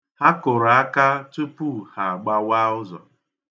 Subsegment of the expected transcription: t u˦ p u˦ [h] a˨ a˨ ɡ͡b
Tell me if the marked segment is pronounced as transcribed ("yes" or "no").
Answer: yes